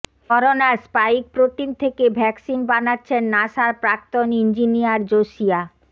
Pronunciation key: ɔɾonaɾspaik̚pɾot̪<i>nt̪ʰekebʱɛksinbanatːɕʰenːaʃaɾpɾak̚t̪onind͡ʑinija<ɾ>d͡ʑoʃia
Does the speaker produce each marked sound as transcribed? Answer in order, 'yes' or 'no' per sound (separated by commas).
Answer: yes, yes